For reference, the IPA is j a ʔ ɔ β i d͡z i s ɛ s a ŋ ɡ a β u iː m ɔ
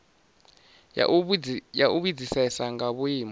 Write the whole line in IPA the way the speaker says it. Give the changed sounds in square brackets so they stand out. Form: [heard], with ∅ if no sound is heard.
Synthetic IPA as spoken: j a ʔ [u] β i d͡z i s ɛ s a ŋ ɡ a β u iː m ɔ